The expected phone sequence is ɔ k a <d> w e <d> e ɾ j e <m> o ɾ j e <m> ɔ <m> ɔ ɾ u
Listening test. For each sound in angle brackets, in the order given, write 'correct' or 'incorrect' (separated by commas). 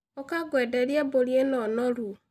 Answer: incorrect, correct, incorrect, incorrect, incorrect